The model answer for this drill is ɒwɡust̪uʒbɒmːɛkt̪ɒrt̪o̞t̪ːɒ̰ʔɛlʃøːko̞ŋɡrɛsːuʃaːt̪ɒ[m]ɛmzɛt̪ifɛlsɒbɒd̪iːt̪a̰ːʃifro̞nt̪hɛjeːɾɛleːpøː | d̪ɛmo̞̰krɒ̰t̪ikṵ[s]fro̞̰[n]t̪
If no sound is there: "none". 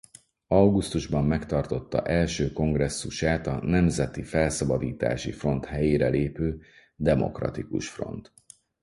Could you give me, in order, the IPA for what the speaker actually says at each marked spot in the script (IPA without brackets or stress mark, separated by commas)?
n, ʃ, n